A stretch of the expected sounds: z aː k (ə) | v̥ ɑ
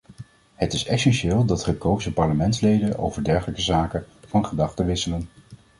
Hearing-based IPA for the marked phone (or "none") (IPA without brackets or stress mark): ə